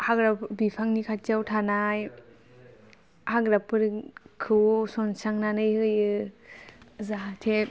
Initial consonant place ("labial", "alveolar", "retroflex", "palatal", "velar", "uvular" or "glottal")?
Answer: glottal